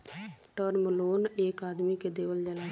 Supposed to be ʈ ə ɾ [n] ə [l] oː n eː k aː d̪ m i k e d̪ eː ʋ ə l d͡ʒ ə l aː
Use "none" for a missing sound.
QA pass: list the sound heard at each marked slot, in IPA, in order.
m, l

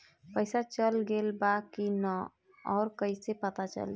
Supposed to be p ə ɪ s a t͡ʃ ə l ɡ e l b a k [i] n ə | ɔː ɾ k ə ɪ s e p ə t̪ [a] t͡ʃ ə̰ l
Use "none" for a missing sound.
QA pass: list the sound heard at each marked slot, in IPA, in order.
i, a

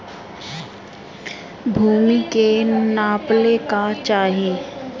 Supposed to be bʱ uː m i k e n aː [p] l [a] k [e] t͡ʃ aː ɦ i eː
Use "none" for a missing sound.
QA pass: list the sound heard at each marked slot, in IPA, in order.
p, e, a

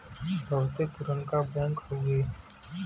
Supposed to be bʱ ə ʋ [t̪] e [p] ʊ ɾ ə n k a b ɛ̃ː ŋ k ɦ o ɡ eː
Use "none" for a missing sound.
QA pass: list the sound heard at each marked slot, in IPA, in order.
t̪, p

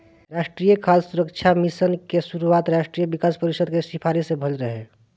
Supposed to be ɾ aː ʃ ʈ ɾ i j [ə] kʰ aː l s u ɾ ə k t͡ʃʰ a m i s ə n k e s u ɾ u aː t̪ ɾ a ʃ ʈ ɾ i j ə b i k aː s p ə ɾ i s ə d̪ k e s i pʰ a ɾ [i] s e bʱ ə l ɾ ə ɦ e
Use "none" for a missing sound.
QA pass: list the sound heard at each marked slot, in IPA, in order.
ə, i

